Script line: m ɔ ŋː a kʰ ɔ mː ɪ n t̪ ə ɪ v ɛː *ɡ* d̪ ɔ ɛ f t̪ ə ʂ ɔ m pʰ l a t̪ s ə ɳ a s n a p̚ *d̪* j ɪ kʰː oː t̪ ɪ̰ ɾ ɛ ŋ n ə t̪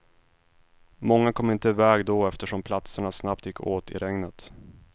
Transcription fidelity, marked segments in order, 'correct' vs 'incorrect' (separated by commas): correct, incorrect